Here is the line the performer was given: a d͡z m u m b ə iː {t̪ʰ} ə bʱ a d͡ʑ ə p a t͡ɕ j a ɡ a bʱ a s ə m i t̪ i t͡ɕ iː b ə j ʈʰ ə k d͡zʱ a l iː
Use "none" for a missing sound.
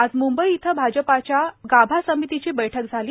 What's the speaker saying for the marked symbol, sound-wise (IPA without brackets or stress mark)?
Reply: t̪ʰ